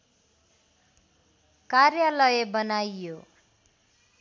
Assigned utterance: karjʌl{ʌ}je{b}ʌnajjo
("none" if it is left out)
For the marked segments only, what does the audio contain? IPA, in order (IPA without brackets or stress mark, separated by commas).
ʌ, b